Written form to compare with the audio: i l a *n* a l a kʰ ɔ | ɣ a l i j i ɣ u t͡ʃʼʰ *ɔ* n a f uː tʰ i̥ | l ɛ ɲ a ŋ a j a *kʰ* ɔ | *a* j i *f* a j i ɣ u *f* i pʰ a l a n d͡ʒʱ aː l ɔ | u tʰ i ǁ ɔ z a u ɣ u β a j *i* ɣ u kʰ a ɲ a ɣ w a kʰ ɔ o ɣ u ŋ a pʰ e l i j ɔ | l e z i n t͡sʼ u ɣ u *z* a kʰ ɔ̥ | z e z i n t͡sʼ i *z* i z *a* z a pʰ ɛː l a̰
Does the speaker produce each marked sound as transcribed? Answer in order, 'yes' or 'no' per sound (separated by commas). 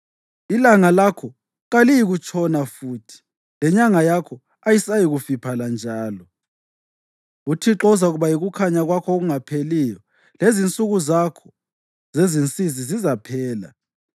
no, yes, yes, yes, no, yes, yes, yes, yes, no